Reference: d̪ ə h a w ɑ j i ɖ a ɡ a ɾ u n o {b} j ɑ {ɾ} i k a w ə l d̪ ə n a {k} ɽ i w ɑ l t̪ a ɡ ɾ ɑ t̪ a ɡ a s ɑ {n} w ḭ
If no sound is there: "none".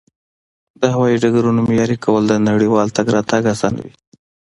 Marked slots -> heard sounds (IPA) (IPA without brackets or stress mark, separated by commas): m, ɾ, none, n